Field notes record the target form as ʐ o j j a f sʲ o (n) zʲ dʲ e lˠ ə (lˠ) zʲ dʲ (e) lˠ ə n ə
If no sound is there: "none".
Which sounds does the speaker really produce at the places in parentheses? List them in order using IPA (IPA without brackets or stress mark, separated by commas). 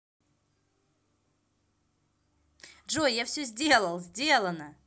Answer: none, lˠ, e